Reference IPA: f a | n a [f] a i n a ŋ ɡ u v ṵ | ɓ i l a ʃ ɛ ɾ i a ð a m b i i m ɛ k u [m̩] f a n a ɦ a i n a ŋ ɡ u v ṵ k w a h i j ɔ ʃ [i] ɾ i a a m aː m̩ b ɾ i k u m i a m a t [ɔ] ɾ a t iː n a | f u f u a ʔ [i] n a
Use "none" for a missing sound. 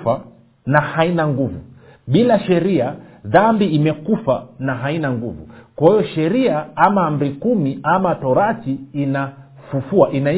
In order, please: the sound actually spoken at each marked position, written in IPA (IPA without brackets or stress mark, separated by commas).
h, none, ɛ, ɔ, i